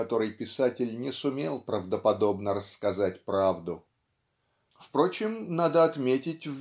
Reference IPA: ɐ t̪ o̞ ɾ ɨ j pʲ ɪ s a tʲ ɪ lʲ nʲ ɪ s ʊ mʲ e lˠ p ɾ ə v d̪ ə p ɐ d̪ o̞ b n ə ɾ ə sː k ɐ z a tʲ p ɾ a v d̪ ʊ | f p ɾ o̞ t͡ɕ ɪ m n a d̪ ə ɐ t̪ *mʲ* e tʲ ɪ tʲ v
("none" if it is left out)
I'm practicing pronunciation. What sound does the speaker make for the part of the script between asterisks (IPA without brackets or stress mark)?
mʲ